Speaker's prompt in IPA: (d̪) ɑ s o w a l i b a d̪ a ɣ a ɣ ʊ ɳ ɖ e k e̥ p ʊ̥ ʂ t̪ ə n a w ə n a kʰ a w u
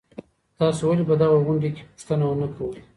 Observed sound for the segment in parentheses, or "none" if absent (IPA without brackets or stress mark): t̪